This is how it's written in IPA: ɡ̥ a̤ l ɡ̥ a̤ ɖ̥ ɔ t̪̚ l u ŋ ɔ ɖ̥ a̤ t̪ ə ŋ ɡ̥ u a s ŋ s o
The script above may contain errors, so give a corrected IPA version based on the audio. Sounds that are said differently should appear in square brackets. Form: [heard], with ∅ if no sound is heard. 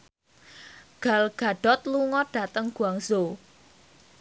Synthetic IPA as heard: ɡ̥ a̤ l ɡ̥ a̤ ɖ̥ ɔ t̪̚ l u ŋ ɔ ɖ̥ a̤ t̪ ə ŋ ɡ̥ u a [∅] ŋ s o